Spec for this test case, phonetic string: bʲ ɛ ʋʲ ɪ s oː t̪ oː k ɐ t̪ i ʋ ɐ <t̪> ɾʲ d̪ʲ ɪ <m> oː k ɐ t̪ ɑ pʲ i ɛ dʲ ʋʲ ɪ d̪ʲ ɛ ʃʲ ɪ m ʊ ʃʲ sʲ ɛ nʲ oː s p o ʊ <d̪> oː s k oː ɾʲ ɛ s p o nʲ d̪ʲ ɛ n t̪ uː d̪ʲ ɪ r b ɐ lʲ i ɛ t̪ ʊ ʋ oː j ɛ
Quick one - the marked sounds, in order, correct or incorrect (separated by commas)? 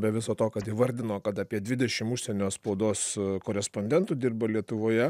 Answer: incorrect, incorrect, correct